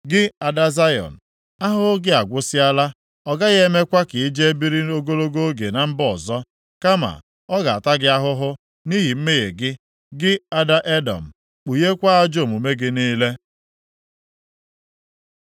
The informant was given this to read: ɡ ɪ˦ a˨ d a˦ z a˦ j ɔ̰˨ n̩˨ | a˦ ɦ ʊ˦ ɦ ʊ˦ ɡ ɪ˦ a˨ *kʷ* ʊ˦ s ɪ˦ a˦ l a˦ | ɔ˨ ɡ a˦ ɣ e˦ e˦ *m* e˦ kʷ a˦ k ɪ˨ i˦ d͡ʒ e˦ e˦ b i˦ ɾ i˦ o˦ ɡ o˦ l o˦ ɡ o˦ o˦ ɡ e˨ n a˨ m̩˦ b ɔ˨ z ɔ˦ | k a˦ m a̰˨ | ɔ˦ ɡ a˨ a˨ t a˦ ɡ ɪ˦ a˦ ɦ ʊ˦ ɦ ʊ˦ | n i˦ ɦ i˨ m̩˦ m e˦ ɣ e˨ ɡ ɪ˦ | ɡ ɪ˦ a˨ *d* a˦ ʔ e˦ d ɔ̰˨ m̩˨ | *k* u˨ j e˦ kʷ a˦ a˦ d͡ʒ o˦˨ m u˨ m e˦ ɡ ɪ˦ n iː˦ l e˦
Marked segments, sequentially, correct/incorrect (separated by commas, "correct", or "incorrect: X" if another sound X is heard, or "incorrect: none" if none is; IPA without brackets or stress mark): incorrect: ɡʷ, correct, correct, incorrect: k͡p